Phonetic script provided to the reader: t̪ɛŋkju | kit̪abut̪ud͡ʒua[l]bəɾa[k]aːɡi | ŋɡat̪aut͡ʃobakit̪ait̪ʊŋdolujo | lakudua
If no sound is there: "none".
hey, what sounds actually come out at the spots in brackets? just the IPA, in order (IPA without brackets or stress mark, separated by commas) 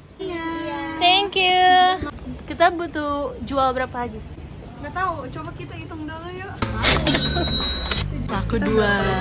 l, p